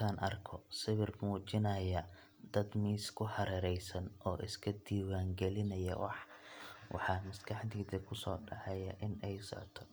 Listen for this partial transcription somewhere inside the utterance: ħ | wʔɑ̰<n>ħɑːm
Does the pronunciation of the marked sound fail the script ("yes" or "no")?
yes